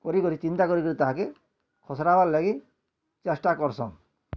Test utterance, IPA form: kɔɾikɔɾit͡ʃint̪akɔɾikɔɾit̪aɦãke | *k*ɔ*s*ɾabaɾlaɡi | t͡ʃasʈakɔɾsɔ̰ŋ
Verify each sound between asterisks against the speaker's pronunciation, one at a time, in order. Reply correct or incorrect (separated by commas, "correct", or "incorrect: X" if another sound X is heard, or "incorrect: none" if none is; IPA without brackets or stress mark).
incorrect: kʰ, correct